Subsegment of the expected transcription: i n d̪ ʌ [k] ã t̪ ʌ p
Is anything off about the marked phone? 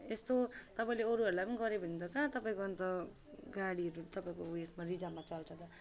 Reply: no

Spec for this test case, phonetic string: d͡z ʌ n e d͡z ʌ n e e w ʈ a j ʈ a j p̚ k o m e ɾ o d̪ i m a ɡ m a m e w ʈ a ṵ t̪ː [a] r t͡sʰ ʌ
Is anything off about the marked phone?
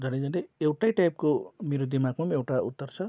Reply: yes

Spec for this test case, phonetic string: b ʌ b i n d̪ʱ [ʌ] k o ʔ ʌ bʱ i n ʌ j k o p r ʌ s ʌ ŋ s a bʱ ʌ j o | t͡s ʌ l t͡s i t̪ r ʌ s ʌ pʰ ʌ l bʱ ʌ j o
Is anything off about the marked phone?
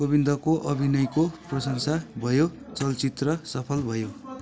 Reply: no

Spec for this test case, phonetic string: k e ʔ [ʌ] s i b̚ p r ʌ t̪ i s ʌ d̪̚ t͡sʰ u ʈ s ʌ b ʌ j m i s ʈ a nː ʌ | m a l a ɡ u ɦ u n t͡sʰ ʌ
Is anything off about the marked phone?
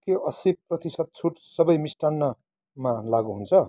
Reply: no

